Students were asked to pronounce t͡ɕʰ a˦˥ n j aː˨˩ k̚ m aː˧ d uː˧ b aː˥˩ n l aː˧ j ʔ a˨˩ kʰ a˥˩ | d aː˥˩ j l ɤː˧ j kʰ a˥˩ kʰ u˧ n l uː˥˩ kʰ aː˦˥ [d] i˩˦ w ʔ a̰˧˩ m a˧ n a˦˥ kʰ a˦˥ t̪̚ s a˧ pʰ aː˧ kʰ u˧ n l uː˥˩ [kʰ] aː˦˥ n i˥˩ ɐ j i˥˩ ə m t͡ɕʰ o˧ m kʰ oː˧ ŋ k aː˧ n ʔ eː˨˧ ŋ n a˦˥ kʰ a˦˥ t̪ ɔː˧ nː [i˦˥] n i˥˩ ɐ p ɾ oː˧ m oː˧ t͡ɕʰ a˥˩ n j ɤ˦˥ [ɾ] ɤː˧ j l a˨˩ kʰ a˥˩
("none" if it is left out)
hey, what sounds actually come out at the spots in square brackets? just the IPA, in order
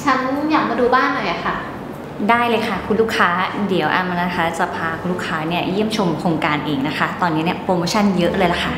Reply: d, kʰ, i˦˥, l

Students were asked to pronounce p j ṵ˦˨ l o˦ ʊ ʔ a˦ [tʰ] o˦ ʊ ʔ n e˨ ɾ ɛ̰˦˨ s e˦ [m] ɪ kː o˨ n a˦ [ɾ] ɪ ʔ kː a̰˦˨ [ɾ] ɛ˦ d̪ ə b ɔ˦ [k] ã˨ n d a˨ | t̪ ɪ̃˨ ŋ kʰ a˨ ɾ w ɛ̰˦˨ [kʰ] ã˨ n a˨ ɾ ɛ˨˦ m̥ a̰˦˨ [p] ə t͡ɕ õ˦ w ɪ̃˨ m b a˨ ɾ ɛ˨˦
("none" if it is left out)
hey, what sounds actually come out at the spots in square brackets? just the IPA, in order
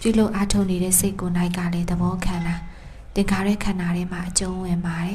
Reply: tʰ, none, none, l, kʰ, kʰ, ʔ

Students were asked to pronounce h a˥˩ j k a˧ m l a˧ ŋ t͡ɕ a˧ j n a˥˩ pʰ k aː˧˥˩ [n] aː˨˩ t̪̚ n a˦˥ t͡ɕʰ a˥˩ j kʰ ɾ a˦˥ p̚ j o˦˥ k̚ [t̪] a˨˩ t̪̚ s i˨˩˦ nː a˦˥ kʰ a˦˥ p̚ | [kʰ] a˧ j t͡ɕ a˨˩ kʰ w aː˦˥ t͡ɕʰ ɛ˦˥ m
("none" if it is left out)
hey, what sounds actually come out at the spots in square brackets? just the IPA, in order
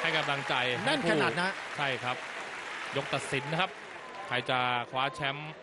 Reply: n, t̪, kʰ

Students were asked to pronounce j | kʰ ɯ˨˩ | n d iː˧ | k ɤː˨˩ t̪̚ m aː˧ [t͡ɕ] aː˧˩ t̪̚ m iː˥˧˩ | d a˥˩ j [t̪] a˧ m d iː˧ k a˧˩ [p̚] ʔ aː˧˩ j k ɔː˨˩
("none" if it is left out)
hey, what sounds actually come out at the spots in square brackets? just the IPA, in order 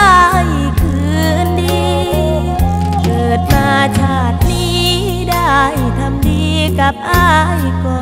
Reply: t͡ɕʰ, t̪ʰ, p̚

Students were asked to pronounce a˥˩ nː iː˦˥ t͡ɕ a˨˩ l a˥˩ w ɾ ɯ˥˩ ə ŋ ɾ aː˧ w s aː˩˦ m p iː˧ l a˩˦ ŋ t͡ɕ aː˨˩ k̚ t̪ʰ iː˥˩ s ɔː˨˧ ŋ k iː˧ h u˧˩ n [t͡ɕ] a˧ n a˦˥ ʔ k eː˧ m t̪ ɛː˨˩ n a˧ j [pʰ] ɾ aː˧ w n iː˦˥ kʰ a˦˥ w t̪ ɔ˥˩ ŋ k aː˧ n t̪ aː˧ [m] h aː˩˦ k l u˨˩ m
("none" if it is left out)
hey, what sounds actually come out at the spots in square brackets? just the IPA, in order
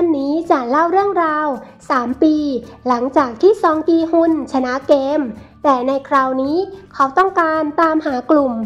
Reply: t͡ɕʰ, kʰ, m

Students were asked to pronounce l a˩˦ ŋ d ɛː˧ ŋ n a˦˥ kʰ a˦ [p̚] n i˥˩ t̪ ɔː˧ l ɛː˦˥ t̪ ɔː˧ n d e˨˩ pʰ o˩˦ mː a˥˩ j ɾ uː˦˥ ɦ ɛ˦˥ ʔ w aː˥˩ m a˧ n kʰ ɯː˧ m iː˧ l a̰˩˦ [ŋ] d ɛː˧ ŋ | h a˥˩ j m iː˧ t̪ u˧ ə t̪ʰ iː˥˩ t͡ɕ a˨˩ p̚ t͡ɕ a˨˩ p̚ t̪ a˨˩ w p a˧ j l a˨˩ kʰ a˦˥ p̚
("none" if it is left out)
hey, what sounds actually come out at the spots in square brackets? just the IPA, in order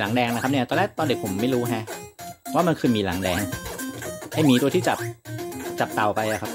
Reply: p̚, ŋ

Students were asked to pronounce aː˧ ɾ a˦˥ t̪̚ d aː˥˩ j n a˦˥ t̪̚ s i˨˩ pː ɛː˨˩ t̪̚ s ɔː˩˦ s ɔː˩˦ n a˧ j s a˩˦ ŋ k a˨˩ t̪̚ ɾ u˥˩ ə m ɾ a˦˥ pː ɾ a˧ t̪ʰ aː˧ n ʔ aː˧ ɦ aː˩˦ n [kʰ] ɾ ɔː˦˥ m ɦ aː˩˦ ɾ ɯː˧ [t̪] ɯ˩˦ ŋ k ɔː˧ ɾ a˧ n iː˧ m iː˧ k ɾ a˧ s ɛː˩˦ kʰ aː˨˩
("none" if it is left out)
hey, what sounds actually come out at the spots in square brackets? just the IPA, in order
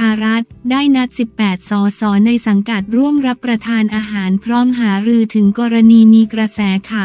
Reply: pʰ, t̪ʰ

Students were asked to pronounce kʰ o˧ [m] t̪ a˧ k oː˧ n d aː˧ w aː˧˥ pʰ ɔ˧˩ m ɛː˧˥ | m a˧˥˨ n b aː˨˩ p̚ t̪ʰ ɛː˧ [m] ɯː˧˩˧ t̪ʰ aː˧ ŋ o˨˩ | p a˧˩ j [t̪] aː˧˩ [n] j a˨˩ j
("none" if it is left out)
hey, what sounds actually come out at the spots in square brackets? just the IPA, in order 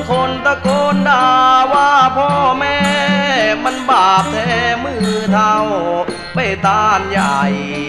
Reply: n, m, t̪, n

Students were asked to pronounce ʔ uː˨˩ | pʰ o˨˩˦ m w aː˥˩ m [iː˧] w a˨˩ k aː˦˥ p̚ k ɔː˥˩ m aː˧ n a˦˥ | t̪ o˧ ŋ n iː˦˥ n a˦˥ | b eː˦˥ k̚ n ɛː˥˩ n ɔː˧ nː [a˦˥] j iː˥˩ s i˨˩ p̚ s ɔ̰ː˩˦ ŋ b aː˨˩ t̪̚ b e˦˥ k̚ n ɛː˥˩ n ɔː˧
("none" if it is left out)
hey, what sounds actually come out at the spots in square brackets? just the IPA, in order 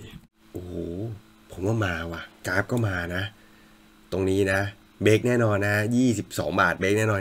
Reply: aː˧, a˦˥

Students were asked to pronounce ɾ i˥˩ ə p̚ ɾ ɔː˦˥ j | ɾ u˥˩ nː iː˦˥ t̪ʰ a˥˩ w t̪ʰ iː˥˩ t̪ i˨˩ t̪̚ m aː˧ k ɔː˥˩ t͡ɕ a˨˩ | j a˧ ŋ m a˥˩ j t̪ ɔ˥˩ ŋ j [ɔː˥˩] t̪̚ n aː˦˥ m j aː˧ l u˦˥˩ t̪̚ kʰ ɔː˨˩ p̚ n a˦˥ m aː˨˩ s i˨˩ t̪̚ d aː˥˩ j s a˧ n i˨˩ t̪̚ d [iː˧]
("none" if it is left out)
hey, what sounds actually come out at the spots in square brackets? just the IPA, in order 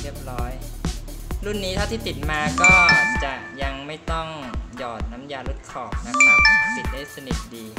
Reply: ɔː˨˩, iː˧

